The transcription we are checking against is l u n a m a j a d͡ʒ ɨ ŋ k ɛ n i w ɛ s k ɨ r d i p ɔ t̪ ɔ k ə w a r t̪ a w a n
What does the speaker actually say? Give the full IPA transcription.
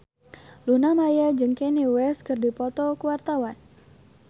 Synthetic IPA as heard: l u n a m a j a d͡ʒ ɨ ŋ k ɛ n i w ɛ s k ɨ r d i p ɔ t̪ ɔ k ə w a r t̪ a w a n

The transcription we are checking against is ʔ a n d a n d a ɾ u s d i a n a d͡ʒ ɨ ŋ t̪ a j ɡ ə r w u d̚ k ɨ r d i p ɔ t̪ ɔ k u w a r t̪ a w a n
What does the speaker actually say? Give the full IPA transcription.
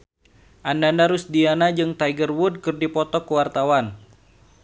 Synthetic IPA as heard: ʔ a n d a n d a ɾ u s d i a n a d͡ʒ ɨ ŋ t̪ a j ɡ ə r w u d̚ k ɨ r d i p ɔ t̪ ɔ k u w a r t̪ a w a n

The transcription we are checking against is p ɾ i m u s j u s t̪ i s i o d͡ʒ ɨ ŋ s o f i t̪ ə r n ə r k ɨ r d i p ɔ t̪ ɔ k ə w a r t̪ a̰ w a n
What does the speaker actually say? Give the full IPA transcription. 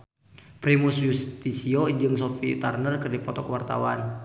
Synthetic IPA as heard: p ɾ i m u s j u s t̪ i s i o d͡ʒ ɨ ŋ s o f i t̪ a r n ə r k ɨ r d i p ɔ t̪ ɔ k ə w a r t̪ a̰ w a n

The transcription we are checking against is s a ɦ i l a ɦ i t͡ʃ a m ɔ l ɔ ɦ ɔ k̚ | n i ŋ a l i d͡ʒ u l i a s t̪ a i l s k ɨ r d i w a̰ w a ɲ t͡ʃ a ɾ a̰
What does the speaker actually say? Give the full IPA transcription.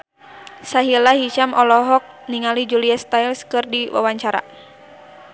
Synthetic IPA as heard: s a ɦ i l a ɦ i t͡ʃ a m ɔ l ɔ ɦ ɔ k̚ | n i ŋ a l i d͡ʒ u l i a s t̪ a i l s k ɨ r d i w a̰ w a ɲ t͡ʃ a ɾ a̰

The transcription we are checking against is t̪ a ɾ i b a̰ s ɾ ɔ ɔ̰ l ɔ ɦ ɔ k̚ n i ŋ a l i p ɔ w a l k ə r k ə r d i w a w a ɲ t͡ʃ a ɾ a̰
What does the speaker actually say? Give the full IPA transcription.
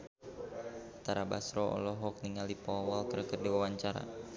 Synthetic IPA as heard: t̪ a ɾ a b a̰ s ɾ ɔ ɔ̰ l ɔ ɦ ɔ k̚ n i ŋ a l i p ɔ w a l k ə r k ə r d i w a w a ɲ t͡ʃ a ɾ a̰

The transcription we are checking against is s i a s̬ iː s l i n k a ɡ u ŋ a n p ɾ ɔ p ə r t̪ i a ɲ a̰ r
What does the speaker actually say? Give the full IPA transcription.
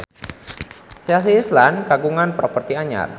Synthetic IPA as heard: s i a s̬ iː s l a n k a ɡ u ŋ a n p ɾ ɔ p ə r t̪ i a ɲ a̰ r

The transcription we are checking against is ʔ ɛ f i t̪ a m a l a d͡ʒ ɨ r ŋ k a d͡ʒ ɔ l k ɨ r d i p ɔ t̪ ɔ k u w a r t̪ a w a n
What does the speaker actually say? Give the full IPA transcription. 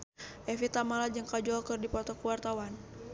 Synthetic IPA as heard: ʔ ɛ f i t̪ a m a l a d͡ʒ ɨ ŋ k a d͡ʒ ɔ l k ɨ r d i p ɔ t̪ ɔ k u w a r t̪ a w a n

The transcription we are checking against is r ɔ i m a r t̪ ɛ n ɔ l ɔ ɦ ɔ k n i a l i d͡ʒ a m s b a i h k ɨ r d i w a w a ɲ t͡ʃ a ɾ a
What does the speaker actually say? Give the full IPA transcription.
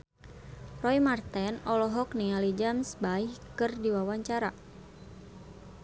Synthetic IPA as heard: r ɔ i m a r t̪ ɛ n ɔ l ɔ ɦ ɔ k n i a l i d͡ʒ a m s b a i h k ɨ r d i w a w a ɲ t͡ʃ a ɾ a

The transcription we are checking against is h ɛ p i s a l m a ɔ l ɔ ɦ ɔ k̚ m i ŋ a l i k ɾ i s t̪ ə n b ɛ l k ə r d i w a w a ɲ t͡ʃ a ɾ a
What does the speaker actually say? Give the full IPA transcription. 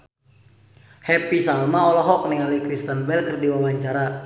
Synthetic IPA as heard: h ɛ p i s a l m a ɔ l ɔ ɦ ɔ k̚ n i ŋ a l i k ɾ i s t̪ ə n b ɛ l k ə r d i w a w a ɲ t͡ʃ a ɾ a

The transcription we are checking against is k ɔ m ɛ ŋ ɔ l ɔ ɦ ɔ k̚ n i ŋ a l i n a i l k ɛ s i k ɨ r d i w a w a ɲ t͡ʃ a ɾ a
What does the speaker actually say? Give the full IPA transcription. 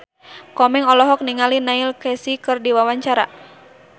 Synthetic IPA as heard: k ɔ m ɛ ŋ ɔ l ɔ ɦ ɔ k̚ n i ŋ a l i n a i l k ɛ s i k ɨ r d i w a w a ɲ t͡ʃ a ɾ a

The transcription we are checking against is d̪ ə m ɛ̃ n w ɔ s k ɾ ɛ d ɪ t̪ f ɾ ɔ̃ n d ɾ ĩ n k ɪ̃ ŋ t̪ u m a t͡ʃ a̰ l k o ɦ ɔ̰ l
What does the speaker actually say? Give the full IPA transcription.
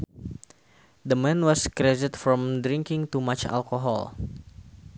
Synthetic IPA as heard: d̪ ə m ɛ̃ n w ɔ s k ɾ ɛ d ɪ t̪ f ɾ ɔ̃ m d ɾ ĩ ŋ k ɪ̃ ŋ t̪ u m a t͡ʃ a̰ l k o ɦ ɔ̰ l

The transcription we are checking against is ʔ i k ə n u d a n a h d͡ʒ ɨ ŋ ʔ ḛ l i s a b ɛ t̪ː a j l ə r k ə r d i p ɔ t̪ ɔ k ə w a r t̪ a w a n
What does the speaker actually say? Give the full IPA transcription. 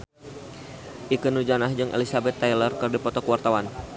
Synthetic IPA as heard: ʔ i k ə n u d͡ʒ a n a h d͡ʒ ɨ ŋ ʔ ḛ l i s a b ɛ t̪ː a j l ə r k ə r d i p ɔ t̪ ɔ k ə w a r t̪ a w a n

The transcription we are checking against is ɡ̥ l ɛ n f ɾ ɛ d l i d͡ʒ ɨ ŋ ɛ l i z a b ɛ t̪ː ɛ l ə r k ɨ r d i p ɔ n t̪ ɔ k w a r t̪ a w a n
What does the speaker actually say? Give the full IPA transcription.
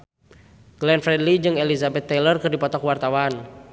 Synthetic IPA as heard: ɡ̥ l ɛ n f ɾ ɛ d l i d͡ʒ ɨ ŋ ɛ l i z a b ɛ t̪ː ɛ l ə r k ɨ r d i p ɔ t̪ ɔ k w a r t̪ a w a n

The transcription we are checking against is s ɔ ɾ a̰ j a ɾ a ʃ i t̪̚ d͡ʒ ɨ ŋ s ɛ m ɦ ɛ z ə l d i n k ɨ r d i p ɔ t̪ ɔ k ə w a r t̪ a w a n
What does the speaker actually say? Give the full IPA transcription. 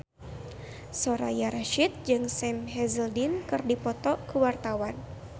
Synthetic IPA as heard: s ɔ ɾ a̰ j a ɾ a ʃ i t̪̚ d͡ʒ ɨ ŋ s ɛ m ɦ ɛ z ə l d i n k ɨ r d i p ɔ t̪ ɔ k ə w a r t̪ a w a n

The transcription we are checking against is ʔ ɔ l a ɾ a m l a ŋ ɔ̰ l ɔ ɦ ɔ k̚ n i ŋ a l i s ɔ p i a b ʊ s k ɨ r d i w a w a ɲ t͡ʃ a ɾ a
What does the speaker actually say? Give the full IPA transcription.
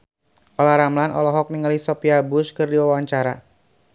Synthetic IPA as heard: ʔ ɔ l a ɾ a m l a n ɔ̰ l ɔ ɦ ɔ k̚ n i ŋ a l i s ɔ p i a b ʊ s k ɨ r d i w a w a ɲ t͡ʃ a ɾ a

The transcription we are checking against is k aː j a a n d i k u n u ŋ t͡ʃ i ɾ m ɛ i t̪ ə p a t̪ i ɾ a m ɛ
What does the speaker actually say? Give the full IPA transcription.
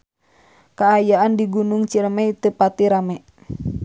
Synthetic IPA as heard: k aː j a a n d i ɡ u n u ŋ t͡ʃ i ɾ m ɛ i t̪ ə p a t̪ i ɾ a m ɛ

